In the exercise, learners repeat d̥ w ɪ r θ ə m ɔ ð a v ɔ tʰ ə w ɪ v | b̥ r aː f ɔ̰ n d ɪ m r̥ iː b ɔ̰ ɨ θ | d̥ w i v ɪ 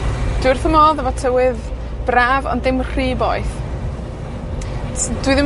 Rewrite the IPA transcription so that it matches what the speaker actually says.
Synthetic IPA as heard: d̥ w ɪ r θ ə m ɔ ð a v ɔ tʰ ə w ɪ ð | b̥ r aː v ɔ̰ n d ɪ m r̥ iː b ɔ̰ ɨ θ | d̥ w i ð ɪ